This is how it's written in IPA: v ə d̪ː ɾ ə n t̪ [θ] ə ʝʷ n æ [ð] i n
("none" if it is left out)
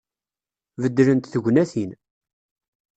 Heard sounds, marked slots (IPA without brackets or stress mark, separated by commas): θ, θ